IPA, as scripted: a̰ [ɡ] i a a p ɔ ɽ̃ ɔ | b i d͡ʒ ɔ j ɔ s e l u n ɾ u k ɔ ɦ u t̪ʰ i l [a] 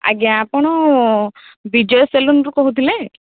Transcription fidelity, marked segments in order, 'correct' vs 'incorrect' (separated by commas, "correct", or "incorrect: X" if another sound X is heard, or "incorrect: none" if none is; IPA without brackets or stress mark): correct, incorrect: e